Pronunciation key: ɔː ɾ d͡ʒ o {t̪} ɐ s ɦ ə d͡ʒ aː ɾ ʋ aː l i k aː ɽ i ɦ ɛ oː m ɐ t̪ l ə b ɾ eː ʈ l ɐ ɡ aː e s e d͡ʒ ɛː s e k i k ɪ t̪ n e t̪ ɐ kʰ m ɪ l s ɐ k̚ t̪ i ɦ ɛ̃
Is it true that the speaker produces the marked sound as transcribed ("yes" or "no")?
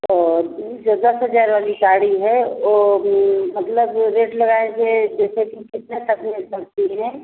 no